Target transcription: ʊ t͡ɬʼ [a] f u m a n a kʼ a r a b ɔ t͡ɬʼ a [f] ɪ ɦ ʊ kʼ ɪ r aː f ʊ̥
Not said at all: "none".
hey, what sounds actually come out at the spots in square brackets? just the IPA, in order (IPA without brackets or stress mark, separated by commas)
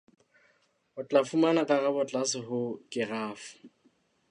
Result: a, s